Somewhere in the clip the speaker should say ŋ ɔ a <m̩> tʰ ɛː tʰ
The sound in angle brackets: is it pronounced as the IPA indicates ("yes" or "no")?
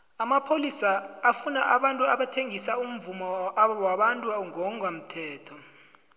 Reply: yes